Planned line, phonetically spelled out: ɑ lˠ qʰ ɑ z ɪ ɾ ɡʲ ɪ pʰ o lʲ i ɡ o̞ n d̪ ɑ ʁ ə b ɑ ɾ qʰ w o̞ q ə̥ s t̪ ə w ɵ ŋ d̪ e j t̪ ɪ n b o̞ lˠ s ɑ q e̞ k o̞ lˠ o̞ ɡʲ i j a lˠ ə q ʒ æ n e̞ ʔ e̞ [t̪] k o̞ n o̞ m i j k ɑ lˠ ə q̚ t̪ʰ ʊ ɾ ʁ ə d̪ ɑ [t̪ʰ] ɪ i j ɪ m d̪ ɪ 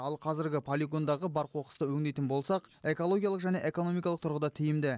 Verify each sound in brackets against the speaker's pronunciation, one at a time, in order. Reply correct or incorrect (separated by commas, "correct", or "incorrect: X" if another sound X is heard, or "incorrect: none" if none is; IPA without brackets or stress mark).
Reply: incorrect: none, correct